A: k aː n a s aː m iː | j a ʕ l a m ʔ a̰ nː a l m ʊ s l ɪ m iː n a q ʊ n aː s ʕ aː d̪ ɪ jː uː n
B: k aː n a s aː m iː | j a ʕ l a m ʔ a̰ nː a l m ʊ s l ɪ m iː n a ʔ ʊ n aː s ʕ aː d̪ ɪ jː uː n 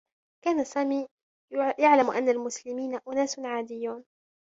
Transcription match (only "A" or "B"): B